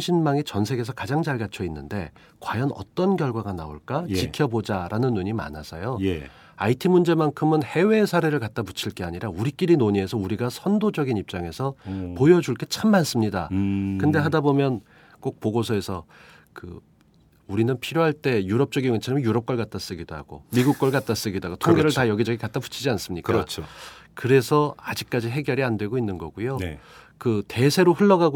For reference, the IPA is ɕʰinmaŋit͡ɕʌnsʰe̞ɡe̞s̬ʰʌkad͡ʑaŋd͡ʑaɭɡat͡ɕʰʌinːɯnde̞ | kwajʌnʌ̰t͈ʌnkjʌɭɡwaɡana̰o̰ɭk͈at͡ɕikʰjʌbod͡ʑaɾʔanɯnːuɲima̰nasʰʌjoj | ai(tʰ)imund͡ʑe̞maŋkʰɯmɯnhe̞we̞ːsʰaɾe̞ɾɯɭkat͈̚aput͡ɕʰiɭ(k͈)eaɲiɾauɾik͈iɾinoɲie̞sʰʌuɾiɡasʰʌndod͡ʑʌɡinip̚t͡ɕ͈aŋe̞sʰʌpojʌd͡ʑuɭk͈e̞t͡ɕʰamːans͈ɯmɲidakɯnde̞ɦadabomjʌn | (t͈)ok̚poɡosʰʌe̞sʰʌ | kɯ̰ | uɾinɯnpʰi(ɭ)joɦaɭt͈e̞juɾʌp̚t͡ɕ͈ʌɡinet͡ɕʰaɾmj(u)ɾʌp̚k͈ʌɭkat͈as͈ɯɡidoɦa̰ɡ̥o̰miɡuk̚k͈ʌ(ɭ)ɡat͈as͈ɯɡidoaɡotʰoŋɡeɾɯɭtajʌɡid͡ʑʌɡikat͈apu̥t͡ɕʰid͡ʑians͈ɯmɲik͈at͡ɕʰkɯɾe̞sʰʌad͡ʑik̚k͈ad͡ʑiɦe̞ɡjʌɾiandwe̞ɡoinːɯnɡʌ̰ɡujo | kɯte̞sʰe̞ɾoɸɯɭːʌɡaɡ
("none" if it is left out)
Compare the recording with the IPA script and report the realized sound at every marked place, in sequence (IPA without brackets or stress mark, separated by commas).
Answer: tʰ, k͈, k͈, ɾ, u, ɭ